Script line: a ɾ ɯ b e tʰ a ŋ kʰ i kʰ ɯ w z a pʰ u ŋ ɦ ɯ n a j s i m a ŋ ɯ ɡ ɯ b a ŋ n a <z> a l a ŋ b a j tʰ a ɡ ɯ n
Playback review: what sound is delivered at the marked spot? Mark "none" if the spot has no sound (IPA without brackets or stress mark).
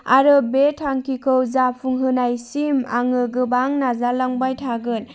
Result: z